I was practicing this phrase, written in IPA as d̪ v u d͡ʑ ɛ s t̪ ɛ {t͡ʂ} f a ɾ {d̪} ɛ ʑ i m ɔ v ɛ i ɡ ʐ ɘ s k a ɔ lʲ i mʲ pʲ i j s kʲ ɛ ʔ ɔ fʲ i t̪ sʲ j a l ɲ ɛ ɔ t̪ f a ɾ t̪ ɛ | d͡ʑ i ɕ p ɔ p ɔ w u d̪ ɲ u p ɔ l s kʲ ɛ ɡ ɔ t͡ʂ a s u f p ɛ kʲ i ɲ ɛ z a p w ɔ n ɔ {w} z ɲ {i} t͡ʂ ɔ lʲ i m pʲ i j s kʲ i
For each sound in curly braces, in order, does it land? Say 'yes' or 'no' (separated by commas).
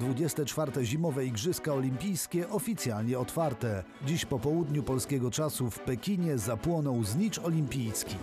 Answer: yes, no, yes, yes